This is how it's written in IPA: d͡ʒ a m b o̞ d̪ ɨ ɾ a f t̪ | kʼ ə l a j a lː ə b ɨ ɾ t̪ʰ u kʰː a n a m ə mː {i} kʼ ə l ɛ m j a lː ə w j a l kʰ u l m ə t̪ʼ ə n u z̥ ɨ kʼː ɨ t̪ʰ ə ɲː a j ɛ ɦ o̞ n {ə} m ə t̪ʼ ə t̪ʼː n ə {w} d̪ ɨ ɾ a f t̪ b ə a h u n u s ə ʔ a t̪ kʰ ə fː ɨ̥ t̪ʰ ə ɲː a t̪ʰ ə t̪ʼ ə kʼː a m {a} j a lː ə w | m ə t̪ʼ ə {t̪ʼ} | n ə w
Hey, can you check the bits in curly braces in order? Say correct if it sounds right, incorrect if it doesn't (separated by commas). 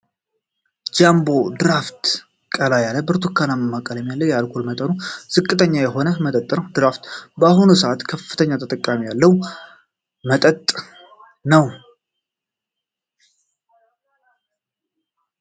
incorrect, correct, correct, incorrect, correct